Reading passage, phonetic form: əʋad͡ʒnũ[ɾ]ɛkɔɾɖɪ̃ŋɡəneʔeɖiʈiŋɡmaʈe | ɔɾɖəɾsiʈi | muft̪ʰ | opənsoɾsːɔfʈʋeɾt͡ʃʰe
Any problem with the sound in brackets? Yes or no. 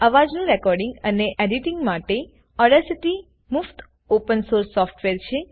no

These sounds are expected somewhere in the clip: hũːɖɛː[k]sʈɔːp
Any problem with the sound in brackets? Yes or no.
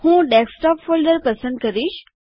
no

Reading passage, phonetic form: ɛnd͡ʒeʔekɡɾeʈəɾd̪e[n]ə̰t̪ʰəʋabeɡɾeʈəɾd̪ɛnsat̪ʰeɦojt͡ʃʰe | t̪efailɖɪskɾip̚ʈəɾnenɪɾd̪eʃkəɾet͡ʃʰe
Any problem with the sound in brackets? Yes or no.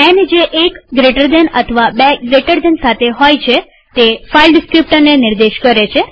no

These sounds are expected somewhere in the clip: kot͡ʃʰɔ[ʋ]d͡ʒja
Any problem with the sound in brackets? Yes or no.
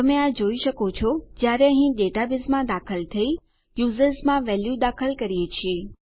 yes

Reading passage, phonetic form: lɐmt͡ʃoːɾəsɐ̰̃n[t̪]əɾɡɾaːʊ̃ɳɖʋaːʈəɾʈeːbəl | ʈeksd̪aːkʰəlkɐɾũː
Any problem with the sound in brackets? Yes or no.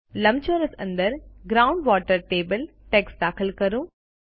yes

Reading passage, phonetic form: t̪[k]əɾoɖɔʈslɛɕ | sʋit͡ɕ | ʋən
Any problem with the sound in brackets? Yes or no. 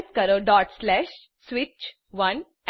no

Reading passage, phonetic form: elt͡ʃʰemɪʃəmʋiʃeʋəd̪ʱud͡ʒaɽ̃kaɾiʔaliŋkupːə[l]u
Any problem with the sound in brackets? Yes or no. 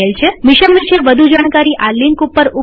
yes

